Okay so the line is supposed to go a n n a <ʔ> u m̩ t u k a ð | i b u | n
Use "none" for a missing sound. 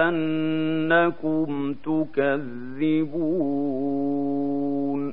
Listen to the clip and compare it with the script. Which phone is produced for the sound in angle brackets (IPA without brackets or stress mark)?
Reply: k